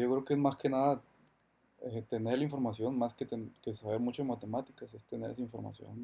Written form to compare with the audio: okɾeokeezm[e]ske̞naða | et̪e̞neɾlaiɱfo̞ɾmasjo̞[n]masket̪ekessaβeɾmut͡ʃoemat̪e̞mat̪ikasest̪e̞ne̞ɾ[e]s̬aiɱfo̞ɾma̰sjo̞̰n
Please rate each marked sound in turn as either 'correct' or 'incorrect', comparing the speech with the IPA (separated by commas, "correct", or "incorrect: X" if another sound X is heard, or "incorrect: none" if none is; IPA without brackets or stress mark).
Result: incorrect: a, correct, correct